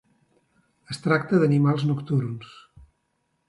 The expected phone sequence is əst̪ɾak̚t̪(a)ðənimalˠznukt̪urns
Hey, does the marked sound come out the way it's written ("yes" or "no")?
no